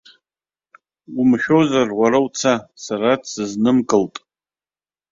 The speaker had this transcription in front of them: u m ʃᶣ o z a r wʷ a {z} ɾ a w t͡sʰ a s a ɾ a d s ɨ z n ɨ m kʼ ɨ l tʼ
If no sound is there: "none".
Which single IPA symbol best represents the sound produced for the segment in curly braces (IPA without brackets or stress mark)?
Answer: none